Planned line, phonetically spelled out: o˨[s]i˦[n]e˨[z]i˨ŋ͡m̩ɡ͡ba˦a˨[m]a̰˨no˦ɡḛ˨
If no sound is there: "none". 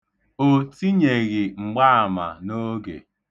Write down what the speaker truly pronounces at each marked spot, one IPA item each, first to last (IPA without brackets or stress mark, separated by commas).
t, ɲ, ɣ, m